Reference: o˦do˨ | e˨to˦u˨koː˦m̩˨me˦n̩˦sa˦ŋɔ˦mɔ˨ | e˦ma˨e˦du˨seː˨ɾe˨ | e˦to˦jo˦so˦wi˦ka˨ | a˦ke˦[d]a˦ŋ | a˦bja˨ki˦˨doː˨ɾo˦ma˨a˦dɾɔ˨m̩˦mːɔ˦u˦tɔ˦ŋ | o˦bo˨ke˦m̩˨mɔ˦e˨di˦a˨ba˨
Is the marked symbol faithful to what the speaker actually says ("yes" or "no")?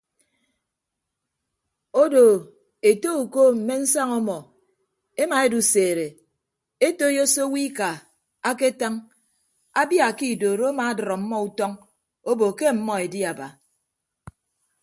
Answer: no